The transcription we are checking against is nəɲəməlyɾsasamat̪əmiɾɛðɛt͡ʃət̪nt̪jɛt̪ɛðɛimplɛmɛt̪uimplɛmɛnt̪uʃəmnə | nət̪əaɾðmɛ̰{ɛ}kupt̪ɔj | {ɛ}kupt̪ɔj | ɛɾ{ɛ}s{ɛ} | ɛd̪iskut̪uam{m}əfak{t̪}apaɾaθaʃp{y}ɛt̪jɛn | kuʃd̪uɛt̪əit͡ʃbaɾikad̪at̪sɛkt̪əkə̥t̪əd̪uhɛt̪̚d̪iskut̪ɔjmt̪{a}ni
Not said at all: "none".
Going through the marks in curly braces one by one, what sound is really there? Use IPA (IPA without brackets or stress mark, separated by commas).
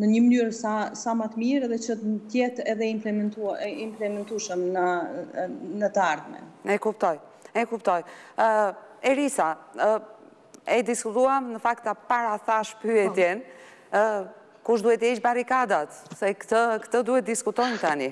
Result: ɛ, ɛ, i, a, n, t̪, y, a